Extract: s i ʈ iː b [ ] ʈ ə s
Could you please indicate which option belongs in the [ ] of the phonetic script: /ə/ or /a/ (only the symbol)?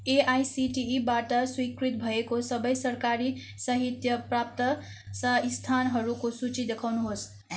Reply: a